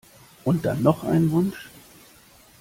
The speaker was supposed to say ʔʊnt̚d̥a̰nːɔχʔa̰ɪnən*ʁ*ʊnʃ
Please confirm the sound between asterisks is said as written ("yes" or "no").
no